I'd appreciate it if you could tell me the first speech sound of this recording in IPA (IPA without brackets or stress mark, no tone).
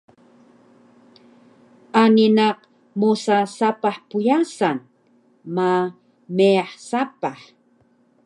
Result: a